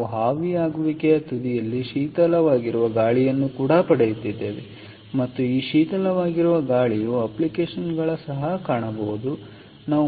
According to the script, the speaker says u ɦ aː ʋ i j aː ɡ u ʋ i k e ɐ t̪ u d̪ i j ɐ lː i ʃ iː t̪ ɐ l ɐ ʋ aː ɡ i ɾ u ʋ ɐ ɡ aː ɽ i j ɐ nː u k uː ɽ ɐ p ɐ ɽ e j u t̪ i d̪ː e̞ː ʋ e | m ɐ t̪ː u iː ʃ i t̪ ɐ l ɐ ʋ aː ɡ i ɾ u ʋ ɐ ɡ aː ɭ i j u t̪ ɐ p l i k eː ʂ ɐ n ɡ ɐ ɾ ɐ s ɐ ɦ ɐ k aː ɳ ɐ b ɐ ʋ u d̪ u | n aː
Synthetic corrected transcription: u ɦ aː ʋ i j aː ɡ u ʋ i k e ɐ t̪ u d̪ i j ɐ lː i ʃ iː t̪ ɐ l ɐ ʋ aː ɡ i ɾ u ʋ ɐ ɡ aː ɭ i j ɐ nː u k uː ɽ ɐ p ɐ ɽ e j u t̪ i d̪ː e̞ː ʋ e | m ɐ t̪ː u iː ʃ iː t̪ ɐ l ɐ ʋ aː ɡ i ɾ u ʋ ɐ ɡ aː ɭ i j u ɐ p l i k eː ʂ ɐ n ɡ ɐ ɭ ɐ s ɐ ɦ ɐ k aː ɳ ɐ b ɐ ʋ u d̪ u | n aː